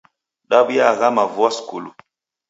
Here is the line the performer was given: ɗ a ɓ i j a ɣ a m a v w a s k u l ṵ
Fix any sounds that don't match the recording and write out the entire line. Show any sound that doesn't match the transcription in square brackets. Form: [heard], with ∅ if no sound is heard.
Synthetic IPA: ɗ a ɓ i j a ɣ a m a v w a s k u l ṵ